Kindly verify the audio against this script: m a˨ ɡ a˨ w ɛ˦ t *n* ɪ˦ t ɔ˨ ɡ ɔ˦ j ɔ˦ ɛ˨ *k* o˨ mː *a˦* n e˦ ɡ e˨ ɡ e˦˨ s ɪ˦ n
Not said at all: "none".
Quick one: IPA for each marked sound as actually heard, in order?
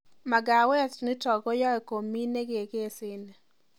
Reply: n, k, i˦

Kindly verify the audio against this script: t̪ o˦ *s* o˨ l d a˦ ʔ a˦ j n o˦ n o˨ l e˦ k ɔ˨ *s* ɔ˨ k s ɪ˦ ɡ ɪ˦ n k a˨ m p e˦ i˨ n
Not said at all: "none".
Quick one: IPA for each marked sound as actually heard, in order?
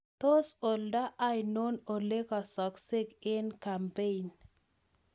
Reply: s, s

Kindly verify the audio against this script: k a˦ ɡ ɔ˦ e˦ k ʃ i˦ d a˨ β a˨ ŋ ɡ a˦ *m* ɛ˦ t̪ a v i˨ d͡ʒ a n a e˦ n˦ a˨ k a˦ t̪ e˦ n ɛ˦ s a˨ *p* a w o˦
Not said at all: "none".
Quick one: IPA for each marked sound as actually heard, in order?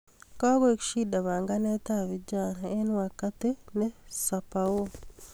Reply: n, p

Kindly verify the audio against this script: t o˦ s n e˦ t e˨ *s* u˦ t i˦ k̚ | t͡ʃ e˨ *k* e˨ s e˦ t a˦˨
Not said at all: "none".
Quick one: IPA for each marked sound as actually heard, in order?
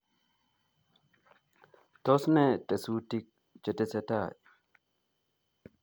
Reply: s, t

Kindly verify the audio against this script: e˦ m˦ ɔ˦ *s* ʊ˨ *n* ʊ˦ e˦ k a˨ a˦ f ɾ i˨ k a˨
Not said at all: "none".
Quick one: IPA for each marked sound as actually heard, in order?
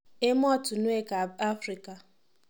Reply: t, n

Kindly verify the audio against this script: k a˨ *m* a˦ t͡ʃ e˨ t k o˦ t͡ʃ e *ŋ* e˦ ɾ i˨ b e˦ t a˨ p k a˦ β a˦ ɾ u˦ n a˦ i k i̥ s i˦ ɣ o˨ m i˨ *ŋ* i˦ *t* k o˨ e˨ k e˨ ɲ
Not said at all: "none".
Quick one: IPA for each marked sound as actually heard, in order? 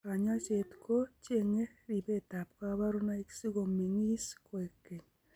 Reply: ɲ, ŋ, ŋ, s

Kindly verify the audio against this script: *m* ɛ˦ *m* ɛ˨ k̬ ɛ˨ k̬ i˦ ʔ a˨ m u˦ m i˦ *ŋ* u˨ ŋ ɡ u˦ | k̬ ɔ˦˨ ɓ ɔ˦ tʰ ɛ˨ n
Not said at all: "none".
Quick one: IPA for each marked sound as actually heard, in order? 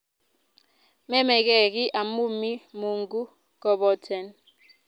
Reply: m, m, m

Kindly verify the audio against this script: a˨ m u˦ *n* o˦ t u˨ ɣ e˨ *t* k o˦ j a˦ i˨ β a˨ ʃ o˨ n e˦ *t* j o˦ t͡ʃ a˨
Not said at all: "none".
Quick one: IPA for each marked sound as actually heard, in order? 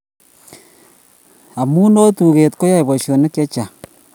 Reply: n, t, k

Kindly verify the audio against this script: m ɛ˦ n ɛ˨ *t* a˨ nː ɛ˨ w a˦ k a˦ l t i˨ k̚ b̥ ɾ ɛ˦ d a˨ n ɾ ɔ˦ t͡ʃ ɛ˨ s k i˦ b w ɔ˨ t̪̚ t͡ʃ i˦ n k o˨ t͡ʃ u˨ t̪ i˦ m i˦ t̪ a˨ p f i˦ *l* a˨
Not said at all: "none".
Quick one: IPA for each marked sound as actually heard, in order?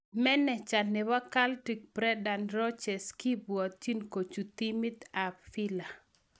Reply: t͡ʃ, l

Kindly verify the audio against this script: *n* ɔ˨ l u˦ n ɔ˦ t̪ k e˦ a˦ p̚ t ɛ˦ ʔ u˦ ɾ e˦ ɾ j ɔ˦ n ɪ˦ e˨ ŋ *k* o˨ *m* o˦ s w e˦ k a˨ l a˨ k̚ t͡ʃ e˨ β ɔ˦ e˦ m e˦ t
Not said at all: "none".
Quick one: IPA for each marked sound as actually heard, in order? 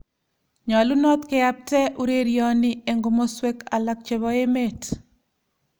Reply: ɲ, ɡ, m

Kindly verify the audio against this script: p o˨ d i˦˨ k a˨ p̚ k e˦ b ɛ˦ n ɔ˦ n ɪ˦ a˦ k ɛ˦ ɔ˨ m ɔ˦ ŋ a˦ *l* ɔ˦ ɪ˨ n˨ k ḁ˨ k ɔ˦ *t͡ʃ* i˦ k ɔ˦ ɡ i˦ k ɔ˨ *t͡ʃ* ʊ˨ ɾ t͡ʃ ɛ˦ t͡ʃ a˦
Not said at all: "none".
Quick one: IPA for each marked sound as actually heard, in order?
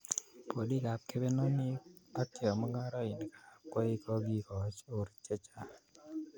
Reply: ɾ, none, t͡ʃ

